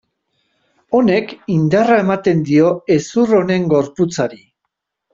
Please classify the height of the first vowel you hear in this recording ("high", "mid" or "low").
mid